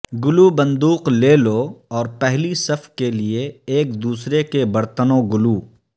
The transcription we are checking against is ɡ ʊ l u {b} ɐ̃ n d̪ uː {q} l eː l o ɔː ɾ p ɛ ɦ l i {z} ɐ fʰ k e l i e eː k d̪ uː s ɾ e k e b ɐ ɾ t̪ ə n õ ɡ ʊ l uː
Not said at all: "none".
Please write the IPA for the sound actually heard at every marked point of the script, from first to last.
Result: b, q, s

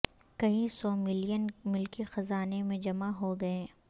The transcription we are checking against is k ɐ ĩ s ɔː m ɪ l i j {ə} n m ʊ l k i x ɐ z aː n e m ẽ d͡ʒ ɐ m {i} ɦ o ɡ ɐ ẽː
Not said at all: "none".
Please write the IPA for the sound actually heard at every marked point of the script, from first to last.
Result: ə, a

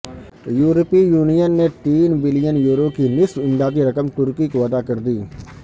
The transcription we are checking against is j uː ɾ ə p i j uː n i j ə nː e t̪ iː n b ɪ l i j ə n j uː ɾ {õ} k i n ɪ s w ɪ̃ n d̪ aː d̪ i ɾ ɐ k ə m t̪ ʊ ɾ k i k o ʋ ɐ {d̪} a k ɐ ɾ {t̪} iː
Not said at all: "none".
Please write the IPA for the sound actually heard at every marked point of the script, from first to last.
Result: o, d̪, d̪

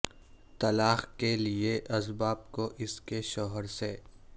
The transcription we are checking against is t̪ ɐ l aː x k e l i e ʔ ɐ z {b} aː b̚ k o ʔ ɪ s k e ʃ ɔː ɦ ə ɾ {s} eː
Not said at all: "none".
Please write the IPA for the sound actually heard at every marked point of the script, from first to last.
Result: b, s

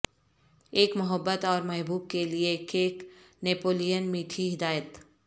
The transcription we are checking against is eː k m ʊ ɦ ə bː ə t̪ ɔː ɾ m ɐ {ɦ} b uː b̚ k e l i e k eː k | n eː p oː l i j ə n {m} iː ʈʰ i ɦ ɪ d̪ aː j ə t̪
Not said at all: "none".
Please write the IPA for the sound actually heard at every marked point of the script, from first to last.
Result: ɦ, m

